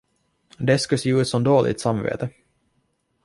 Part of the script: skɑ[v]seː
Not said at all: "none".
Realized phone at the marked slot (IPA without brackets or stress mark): none